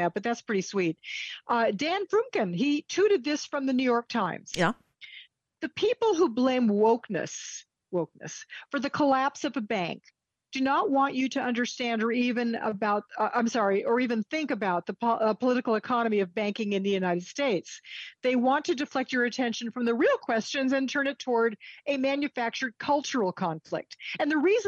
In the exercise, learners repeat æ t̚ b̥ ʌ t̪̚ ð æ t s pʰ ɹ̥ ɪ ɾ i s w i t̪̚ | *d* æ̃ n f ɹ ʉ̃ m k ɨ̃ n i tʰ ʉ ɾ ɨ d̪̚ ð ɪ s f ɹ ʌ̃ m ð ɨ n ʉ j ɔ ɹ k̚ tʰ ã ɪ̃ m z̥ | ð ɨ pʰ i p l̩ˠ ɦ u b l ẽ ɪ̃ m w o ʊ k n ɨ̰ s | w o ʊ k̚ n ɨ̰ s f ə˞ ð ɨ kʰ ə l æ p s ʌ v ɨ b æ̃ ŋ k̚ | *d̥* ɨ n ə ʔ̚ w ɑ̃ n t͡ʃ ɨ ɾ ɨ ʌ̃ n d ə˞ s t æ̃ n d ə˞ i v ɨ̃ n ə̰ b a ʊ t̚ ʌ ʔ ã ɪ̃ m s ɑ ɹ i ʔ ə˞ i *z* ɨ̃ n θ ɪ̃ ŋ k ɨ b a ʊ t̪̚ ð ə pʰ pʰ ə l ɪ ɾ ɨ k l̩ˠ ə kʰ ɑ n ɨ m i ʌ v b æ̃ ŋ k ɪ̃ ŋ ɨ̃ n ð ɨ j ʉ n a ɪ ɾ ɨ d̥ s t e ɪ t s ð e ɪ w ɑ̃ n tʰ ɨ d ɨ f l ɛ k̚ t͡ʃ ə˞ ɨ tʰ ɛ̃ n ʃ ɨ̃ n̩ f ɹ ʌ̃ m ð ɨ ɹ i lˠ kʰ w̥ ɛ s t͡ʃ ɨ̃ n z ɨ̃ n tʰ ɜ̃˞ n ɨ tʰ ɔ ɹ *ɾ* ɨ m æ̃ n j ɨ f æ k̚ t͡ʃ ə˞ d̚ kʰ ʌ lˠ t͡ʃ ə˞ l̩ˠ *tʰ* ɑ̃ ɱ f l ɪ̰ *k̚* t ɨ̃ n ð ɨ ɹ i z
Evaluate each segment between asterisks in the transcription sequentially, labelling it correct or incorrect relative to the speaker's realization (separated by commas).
correct, correct, incorrect, correct, incorrect, correct